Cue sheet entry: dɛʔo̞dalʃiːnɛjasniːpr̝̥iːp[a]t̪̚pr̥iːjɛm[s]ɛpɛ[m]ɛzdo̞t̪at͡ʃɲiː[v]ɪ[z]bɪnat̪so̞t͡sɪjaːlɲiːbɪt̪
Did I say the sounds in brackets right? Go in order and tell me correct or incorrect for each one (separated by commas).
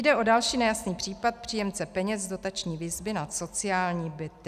correct, incorrect, incorrect, correct, correct